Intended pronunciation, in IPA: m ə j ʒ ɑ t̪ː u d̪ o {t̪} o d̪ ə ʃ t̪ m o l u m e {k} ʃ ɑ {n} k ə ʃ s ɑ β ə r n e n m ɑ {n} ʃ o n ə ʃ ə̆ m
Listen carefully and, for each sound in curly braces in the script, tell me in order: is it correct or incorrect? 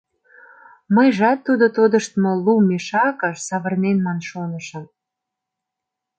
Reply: correct, incorrect: none, incorrect: none, correct

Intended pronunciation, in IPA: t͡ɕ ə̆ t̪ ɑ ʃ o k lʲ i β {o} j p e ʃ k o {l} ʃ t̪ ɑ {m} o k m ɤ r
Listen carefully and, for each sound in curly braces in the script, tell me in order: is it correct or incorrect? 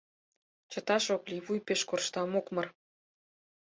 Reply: incorrect: u, incorrect: r, correct

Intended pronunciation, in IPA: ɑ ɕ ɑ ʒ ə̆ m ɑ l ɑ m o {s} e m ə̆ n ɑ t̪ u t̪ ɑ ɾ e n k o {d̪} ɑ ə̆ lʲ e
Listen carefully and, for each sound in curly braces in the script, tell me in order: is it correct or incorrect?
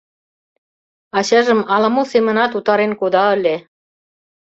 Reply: correct, correct

